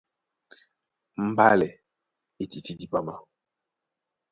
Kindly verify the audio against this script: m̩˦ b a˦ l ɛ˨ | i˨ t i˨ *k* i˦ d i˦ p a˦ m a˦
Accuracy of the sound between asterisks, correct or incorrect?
incorrect